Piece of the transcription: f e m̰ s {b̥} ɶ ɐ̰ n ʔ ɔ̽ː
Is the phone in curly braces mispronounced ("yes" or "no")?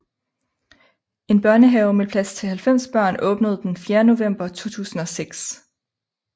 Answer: no